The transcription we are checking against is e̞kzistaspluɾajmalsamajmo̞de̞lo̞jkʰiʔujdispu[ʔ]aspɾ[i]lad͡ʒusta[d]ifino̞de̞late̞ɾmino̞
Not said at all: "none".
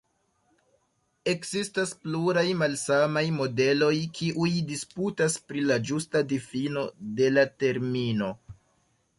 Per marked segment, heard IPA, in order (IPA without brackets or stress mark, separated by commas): t, i, d